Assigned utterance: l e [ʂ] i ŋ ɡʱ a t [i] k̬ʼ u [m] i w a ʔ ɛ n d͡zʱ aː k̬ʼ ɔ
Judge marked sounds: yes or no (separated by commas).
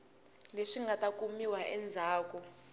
yes, no, yes